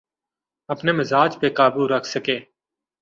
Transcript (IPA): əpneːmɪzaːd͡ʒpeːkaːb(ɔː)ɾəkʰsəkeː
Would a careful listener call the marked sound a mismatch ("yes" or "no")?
yes